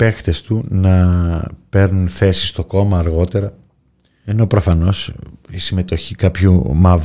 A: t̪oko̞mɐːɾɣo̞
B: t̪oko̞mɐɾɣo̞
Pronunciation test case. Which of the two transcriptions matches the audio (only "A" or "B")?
A